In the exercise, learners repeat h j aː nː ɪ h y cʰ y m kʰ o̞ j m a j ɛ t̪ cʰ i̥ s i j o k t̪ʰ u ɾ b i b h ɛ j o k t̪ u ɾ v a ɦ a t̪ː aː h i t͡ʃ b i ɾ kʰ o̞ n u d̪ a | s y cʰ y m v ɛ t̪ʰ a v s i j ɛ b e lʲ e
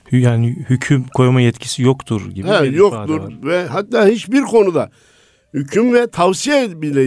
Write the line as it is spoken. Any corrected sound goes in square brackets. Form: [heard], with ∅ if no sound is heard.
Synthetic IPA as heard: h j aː [n] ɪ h y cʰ y m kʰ o̞ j m a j ɛ t̪ cʰ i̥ s i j o k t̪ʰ u ɾ [ɟ] i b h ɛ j o k t̪ u ɾ v [ɛ] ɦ a t̪ː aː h i t͡ʃ b i ɾ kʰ o̞ n u d̪ a | [h] y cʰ y m v ɛ t̪ʰ a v s i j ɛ b [i] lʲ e